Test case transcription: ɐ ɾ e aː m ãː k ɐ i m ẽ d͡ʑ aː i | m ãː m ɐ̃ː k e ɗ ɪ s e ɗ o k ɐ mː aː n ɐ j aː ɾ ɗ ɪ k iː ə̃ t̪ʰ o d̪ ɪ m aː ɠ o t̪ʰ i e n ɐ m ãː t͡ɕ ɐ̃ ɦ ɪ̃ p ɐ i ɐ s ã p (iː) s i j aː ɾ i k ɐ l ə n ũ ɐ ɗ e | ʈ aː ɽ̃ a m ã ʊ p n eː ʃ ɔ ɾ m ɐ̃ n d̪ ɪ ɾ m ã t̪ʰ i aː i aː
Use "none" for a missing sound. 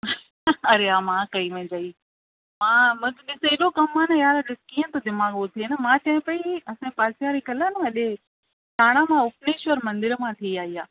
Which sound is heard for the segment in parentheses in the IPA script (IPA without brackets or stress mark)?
aː